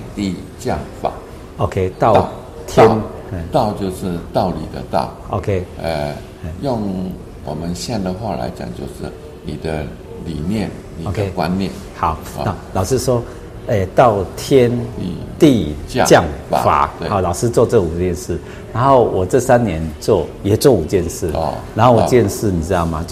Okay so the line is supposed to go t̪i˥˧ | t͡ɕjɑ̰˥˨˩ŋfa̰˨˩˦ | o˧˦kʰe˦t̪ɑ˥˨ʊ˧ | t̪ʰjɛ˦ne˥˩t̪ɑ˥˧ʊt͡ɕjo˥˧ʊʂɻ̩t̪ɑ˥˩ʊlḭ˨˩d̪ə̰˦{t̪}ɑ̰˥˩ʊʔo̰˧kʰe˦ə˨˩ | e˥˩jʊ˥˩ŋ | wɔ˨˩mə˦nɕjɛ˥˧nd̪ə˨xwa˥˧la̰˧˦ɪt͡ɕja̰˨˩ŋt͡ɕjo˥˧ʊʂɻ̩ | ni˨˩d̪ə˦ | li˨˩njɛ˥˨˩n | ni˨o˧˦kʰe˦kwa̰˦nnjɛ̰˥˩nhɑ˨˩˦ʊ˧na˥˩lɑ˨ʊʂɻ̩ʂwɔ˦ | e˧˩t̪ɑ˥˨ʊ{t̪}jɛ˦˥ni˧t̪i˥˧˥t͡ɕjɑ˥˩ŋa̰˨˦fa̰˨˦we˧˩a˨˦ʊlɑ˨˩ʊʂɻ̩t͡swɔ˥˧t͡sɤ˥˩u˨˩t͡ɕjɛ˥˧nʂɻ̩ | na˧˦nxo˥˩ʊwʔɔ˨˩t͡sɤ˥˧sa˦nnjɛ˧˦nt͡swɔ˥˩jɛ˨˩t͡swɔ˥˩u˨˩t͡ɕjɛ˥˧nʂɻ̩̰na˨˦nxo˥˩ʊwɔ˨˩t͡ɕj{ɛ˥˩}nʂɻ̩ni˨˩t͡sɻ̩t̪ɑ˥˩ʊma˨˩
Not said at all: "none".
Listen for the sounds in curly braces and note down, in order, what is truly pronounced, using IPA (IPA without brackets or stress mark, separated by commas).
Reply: t̪, t̪ʰ, ɛ˥˧